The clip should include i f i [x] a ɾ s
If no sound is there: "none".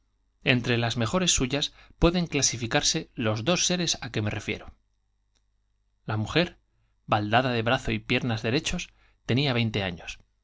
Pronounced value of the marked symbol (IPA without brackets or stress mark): k